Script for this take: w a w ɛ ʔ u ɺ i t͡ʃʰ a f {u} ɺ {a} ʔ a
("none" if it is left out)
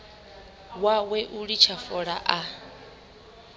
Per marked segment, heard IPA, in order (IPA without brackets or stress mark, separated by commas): ɔ, a